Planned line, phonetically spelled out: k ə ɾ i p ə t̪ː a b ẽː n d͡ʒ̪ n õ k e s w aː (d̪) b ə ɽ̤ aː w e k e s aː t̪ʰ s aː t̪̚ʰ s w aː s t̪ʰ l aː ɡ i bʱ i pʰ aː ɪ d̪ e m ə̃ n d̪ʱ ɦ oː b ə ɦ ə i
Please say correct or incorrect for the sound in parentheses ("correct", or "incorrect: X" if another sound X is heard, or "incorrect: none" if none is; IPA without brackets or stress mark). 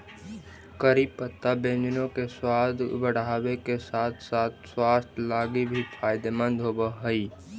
correct